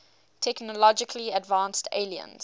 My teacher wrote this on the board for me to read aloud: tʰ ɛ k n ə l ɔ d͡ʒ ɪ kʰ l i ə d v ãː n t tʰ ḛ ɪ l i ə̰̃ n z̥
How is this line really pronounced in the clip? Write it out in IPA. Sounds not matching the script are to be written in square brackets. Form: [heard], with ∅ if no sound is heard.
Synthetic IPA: tʰ ɛ k n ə l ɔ d͡ʒ ɪ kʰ l i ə d v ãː n [s] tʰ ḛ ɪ l i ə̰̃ n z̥